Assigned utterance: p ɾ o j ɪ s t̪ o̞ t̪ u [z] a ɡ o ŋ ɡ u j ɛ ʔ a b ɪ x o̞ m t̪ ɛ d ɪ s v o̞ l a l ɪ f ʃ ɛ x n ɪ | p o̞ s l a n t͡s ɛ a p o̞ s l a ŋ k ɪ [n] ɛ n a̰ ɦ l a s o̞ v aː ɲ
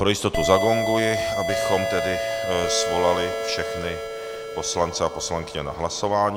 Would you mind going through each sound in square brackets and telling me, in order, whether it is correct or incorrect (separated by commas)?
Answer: correct, incorrect